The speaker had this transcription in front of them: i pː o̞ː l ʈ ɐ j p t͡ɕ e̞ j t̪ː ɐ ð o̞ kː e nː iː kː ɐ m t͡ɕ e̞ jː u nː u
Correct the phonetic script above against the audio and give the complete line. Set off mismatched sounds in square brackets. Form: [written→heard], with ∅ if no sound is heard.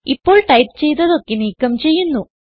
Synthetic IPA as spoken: i pː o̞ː [l→ɭ] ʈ ɐ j p t͡ɕ e̞ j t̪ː ɐ ð o̞ kː e [nː→n] iː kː ɐ m t͡ɕ e̞ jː u nː u